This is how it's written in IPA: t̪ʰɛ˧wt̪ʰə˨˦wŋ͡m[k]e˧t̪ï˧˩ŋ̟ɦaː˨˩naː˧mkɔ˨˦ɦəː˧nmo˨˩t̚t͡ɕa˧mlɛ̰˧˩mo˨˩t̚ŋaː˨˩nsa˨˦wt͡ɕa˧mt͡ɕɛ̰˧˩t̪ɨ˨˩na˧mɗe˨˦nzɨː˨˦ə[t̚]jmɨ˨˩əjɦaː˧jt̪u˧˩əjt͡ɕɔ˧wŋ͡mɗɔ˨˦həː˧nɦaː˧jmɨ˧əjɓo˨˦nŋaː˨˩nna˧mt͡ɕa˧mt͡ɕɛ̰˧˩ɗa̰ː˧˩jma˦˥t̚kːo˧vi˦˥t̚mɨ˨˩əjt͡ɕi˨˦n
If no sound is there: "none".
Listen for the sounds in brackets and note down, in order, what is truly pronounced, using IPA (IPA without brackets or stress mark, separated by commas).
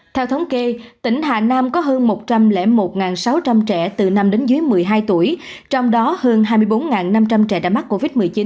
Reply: k, none